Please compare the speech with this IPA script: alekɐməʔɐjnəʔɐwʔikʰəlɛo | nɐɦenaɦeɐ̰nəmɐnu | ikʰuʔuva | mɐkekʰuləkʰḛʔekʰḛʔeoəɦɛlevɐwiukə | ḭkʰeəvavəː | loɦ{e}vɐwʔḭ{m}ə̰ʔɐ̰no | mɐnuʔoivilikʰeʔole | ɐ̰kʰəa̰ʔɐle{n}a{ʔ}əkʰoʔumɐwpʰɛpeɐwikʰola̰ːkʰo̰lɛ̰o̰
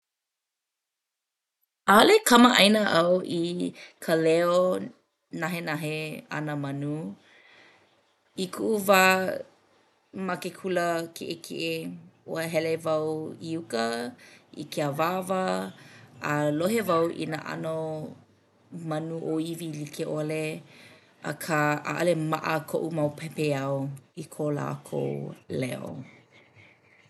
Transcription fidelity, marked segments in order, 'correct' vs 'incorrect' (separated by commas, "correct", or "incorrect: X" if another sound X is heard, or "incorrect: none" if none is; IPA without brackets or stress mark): correct, incorrect: n, incorrect: m, correct